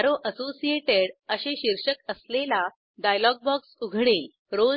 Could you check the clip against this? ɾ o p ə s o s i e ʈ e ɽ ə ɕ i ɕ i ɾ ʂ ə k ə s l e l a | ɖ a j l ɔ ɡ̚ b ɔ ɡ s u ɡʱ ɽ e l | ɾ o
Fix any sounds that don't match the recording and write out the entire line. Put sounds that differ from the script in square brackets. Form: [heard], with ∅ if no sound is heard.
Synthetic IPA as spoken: ɾ o [ʔ] ə s o s i e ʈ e ɽ ə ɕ [e] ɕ i ɾ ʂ ə k ə s l e l a | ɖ a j l ɔ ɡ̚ b ɔ [k] s u ɡʱ ɽ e l | ɾ o